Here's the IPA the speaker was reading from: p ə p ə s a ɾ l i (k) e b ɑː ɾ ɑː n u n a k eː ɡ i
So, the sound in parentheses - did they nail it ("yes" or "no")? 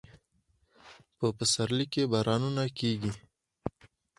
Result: yes